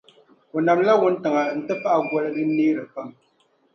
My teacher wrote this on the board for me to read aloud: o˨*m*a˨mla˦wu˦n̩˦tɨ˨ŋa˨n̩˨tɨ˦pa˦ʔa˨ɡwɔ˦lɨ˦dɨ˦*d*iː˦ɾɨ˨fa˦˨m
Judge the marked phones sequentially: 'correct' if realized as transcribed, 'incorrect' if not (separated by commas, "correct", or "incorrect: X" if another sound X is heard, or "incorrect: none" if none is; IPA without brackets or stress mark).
incorrect: n, incorrect: n